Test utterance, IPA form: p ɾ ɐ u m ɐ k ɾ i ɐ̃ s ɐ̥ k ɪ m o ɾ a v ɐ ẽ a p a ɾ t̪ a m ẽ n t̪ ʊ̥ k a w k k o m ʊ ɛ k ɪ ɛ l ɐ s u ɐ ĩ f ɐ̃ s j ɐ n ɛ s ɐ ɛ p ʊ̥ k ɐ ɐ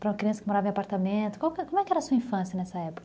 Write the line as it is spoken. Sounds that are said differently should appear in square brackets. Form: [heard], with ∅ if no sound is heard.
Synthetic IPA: p ɾ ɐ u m ɐ k ɾ i ɐ̃ s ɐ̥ k ɪ m o ɾ a v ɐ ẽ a p a ɾ t̪ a m ẽ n t̪ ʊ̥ k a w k k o m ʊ ɛ k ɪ ɛ [ɾ] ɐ s u ɐ ĩ f ɐ̃ s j ɐ n ɛ s ɐ ɛ p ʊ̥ k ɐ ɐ